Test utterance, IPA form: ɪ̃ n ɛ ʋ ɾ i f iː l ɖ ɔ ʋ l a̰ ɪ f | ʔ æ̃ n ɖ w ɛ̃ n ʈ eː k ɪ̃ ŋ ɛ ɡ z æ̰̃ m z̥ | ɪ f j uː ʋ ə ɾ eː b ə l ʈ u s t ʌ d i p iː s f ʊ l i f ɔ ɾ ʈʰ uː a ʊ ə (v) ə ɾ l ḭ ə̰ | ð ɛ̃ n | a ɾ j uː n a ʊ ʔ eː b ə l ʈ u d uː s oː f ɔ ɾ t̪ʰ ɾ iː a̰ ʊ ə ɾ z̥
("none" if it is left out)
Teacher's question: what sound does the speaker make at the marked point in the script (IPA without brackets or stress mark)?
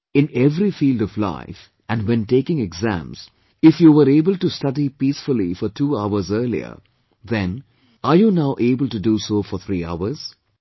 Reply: z